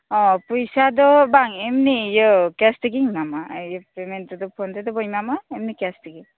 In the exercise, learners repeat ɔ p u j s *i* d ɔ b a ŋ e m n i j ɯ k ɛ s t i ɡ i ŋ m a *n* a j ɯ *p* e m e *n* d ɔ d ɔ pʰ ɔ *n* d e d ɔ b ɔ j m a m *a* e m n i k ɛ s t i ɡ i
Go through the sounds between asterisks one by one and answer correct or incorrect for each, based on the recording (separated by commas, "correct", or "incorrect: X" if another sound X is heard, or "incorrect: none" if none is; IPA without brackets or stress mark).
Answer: incorrect: a, incorrect: m, correct, correct, correct, correct